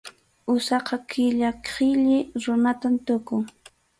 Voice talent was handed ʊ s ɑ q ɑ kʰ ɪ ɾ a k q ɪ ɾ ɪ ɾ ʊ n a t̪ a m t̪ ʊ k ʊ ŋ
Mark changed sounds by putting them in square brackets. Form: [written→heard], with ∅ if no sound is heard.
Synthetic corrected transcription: ʊ s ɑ q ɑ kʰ ɪ [ɾ→ʎ] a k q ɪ [ɾ→ʎ] ɪ ɾ ʊ n a t̪ a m t̪ ʊ k ʊ ŋ